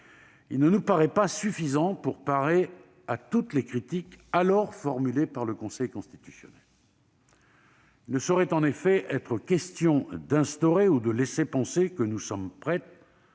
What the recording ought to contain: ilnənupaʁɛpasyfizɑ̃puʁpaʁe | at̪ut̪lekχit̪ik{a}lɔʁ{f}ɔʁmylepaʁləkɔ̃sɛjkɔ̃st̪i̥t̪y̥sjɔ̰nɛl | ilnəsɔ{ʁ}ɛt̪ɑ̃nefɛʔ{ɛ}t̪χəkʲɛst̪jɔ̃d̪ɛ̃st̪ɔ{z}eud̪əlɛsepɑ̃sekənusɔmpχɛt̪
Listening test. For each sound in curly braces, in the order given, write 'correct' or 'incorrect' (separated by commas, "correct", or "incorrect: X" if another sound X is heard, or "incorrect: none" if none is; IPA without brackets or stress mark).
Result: correct, correct, correct, correct, incorrect: ʁ